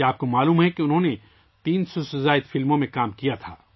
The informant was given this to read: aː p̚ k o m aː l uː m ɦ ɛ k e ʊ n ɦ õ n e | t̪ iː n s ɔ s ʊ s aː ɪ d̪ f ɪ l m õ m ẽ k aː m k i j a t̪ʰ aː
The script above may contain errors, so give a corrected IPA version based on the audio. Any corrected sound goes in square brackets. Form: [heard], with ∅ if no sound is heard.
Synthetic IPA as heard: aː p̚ k o m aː l uː m ɦ ɛ k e ʊ n ɦ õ n e | t̪ iː n s ɔ s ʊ [z] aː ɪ d̪ f ɪ l m õ m ẽ k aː m k i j a t̪ʰ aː